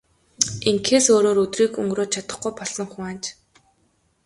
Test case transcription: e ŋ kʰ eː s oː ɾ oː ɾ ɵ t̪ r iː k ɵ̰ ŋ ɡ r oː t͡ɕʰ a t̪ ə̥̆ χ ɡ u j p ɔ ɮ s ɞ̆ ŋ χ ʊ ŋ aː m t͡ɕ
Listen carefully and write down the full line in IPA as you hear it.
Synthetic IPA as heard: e ŋ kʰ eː s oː ɾ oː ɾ ɵ t̪ r iː k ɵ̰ ŋ ɡ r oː t͡ɕʰ a t̪ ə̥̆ χ ɡ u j p ɔ ɮ s ɞ̆ ŋ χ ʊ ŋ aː n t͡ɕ

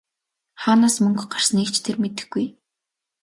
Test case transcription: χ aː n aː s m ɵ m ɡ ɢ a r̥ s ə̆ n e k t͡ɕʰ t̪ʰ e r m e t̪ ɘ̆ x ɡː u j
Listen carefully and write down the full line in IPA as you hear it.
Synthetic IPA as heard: χ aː n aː s m ɵ ŋ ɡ ɢ a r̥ s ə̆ n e k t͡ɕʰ t̪ʰ e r m e t̪ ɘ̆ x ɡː u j

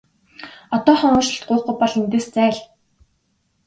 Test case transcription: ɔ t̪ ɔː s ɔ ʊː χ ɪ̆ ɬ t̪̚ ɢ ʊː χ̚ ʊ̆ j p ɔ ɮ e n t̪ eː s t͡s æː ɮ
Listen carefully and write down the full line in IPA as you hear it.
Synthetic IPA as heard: ɔ t̪ ɔː χ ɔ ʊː ʃ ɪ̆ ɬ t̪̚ ɢ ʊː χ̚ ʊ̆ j p ɔ ɮ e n t̪ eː s t͡s æː ɮ

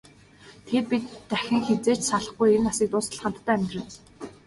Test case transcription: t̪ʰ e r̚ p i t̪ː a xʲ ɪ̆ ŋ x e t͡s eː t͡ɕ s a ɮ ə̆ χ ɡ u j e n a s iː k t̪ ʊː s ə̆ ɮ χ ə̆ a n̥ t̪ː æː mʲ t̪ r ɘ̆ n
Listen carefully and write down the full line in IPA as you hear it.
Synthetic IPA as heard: t̪ʰ e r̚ p i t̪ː æ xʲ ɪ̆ ŋ x e t͡s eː t͡ɕ s a ɮ ə̆ χ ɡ u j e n a s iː k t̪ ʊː s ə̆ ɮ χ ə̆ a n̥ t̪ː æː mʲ t̪ r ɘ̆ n

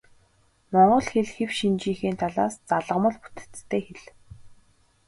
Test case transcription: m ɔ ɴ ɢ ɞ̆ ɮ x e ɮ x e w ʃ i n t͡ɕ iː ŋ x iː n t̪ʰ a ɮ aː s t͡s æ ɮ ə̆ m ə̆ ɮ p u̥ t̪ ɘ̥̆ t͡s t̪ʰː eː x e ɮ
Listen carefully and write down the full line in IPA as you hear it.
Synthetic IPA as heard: m ɔ ɴ ɢ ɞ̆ ɮ x e ɮ x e w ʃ i n t͡ɕ iː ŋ x iː n t̪ʰ a ɮ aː s t͡s a ɮ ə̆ m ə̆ ɮ p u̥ t̪ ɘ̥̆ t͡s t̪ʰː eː x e ɮ

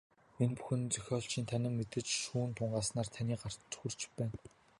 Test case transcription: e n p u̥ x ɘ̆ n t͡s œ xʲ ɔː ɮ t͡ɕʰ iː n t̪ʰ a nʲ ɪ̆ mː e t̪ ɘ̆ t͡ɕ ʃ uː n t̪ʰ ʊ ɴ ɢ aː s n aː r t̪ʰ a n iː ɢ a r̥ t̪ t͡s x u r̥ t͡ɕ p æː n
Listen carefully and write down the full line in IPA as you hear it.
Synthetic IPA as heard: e n p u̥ x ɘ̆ n t͡s œ xʲ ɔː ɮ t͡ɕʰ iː n t̪ʰ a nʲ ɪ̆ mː e t̪ ɘ̆ t͡ɕ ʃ uː n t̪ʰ ʊ ɴ ɢ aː s n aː r t̪ʰ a n iː ɢ a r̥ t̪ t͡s x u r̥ t͡ɕ p æː n

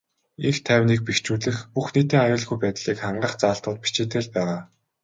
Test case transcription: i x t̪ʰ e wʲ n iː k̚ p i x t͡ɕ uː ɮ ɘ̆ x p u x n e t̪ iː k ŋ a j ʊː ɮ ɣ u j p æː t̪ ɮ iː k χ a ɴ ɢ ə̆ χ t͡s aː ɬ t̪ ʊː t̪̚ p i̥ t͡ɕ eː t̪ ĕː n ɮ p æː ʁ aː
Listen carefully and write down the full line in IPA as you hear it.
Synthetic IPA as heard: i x t̪ʰ æ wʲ n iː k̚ p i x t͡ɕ uː ɮ ɘ̆ x p u x n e t̪ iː ŋ a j ʊː ɮ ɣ u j p æː t̪ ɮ iː k χ a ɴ ɢ ə̆ χ t͡s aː ɬ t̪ ʊː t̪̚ p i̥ t͡ɕ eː t̪ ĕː ɮ p æː ʁ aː

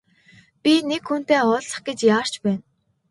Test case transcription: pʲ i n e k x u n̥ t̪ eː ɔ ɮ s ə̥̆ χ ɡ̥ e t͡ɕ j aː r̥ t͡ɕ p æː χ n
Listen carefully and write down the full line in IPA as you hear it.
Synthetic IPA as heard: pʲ i n e k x u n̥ t̪ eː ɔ ɮ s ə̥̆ χ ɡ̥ e t͡ɕ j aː r̥ t͡ɕ p æː n

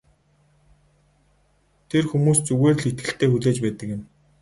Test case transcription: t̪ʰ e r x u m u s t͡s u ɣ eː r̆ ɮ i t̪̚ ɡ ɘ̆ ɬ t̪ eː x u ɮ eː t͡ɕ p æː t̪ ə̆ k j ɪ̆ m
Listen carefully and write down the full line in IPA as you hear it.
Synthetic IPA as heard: t̪ʰ e r x u m uː s t͡s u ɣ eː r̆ ɮ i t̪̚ ɡ ɘ̆ ɬ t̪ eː x u ɮ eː t͡ɕ p æː t̪ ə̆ k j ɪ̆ m

